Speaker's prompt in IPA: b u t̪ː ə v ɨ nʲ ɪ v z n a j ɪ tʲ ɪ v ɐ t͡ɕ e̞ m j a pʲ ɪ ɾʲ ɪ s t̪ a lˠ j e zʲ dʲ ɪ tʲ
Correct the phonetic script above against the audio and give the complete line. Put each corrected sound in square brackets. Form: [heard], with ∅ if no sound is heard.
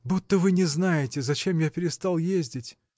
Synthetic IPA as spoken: b u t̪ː ə v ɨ nʲ ɪ [∅] z n a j ɪ tʲ ɪ [z] ɐ t͡ɕ e̞ m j a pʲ ɪ ɾʲ ɪ s t̪ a lˠ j e zʲ dʲ ɪ tʲ